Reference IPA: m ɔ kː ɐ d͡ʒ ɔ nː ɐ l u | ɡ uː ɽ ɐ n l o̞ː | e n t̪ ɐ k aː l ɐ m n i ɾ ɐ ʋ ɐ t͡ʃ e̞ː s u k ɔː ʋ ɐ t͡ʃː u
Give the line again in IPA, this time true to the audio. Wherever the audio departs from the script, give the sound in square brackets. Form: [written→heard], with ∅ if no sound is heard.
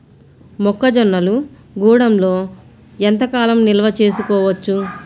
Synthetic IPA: m ɔ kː ɐ d͡ʒ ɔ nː ɐ l u | ɡ uː ɽ ɐ [n→m] l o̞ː | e n t̪ ɐ k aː l ɐ m n i [ɾ→l] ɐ ʋ ɐ t͡ʃ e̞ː s u k ɔː ʋ ɐ t͡ʃː u